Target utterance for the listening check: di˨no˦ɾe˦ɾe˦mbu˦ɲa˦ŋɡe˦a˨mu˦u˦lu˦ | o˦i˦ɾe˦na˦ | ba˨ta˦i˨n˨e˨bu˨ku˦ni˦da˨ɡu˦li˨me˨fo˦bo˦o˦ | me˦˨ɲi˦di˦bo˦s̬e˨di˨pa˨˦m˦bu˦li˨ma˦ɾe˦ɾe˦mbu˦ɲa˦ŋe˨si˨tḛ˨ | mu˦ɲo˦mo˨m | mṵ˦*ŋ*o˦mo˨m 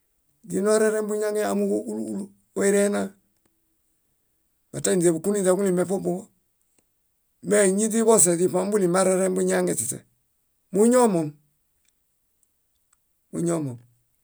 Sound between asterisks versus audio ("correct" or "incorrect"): incorrect